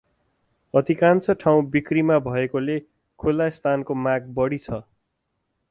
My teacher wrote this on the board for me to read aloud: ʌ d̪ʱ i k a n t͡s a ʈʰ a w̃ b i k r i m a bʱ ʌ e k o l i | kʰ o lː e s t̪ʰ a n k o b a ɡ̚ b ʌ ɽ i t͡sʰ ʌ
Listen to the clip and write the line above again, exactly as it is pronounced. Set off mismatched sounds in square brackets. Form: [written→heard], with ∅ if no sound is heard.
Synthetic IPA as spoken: ʌ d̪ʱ i k a n t͡s [a→ʌ] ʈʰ a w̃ b i k r i m a bʱ ʌ e k o l [i→e] | kʰ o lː [e→a] s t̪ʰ a n k o [b→m] a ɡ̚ b ʌ ɽ i t͡sʰ ʌ